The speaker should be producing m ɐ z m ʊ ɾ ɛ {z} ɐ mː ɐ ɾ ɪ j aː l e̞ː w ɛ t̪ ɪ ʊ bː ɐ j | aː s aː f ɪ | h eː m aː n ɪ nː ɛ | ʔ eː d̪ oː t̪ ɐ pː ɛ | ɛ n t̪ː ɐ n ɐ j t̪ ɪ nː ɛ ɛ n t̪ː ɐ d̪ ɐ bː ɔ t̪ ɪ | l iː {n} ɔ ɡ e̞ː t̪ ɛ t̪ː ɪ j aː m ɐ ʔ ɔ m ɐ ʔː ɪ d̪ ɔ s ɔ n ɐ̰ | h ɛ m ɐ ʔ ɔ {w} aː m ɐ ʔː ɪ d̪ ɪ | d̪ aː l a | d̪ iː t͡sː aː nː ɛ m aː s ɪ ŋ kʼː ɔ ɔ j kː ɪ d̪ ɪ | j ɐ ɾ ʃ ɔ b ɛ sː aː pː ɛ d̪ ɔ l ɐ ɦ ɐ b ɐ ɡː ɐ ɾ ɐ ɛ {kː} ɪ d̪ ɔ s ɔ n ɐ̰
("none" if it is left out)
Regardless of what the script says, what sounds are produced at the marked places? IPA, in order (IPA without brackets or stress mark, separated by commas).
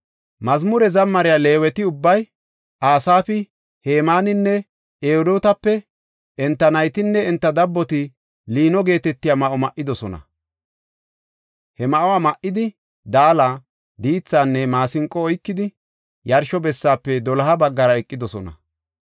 z, n, w, kʼː